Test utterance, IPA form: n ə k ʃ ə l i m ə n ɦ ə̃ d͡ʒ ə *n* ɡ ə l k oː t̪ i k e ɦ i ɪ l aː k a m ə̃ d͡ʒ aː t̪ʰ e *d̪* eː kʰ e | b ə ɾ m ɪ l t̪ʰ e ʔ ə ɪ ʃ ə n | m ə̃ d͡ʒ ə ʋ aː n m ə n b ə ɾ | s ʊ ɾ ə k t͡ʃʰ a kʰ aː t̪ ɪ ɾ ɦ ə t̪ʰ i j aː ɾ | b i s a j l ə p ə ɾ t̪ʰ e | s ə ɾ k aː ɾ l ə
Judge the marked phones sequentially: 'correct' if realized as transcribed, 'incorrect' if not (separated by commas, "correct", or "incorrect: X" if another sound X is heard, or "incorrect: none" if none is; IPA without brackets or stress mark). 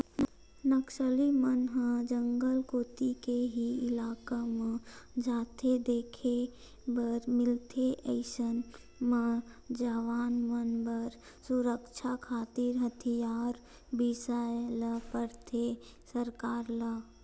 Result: incorrect: ŋ, correct